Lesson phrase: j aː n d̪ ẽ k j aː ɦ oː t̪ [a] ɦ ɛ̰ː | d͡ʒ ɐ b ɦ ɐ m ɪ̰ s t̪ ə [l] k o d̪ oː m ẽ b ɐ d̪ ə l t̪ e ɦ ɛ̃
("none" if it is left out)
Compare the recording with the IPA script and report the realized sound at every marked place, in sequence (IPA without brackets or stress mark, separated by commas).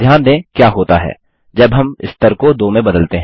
a, ɾ